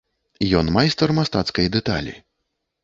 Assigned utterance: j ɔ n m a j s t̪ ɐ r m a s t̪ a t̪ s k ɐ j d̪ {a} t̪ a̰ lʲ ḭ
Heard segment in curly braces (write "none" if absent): ɛ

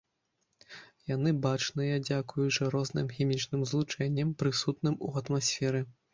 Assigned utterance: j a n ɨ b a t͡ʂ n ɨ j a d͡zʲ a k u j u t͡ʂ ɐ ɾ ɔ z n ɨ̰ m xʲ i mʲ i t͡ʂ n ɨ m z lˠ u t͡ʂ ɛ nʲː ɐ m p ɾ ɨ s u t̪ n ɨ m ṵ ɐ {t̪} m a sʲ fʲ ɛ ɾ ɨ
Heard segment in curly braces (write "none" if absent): t̪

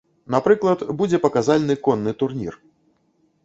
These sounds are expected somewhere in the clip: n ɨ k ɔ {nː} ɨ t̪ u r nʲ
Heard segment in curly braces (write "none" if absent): nː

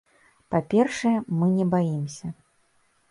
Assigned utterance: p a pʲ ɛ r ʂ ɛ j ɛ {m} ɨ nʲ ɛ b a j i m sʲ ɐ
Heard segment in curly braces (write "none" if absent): m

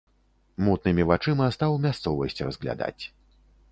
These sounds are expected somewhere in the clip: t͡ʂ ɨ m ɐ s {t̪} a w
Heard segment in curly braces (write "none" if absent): t̪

